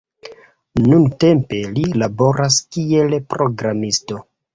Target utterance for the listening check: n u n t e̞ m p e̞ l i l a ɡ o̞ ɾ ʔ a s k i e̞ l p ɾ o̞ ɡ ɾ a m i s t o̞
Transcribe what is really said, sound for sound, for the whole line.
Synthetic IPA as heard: n u n t e̞ m p e̞ l i l a b o̞ ɾ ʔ a s k i e̞ l p ɾ o̞ ɡ ɾ a m i s t o̞